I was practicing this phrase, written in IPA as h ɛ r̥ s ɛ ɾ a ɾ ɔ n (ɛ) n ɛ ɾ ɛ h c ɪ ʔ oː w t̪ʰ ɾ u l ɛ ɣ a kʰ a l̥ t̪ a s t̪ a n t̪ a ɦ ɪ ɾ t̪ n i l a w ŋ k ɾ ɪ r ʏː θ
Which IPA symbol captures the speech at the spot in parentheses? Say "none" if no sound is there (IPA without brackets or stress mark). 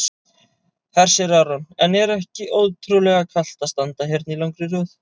ɛ